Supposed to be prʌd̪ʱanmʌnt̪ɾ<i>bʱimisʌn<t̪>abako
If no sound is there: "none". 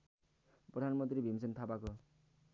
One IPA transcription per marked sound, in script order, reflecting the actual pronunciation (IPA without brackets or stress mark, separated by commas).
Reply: i, t̪ʰ